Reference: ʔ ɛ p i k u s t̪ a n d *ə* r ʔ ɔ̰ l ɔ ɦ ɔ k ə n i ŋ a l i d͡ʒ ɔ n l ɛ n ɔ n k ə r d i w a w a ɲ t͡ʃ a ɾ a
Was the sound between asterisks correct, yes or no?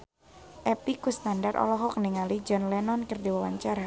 no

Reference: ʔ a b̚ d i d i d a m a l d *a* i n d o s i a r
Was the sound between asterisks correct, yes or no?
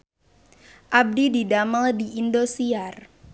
no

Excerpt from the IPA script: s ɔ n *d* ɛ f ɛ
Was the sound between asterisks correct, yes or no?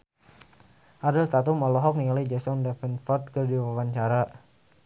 yes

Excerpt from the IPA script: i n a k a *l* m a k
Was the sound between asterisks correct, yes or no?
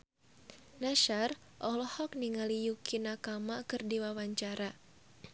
no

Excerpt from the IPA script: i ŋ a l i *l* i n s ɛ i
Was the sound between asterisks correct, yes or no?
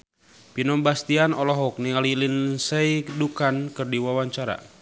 yes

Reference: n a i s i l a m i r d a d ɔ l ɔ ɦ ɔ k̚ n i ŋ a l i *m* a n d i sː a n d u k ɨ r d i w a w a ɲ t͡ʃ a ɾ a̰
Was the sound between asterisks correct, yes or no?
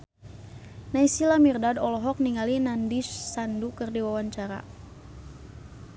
no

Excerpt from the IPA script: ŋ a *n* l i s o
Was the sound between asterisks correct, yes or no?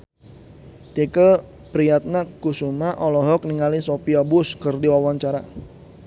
no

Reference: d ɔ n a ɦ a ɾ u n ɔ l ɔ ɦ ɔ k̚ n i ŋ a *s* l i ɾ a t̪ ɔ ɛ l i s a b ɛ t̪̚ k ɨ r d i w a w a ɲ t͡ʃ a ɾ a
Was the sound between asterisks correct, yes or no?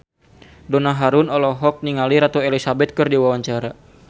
no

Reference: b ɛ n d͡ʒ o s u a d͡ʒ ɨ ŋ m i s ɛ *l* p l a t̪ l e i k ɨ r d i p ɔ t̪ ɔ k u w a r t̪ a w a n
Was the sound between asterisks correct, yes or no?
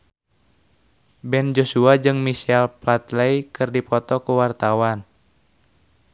yes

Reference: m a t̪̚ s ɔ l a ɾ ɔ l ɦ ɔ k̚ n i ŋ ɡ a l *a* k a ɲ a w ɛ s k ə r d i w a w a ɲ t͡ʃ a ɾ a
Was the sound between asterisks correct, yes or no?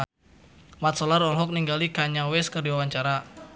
no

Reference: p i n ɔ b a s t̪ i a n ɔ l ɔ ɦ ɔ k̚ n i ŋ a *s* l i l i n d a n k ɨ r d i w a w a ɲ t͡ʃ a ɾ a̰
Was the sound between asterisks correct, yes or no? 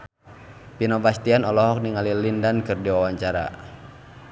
no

